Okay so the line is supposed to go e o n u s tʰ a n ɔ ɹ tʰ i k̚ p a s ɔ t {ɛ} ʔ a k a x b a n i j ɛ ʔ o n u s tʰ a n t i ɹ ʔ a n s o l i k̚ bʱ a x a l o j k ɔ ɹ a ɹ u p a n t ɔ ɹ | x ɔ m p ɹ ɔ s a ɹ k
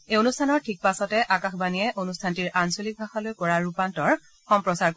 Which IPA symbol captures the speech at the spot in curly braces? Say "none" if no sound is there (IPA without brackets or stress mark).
ɛ